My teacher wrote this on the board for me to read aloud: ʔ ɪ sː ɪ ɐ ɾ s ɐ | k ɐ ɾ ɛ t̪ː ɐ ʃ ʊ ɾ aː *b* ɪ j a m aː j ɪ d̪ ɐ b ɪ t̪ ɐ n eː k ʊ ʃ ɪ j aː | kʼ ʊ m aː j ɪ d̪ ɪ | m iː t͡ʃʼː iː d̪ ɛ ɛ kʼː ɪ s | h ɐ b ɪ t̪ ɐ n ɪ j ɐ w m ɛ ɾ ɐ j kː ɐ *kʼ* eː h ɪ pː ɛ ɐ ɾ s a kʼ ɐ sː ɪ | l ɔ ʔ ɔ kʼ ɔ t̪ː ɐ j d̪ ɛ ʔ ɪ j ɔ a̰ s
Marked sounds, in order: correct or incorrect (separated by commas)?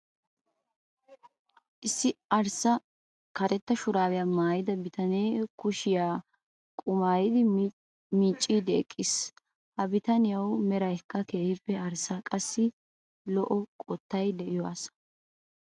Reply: incorrect, incorrect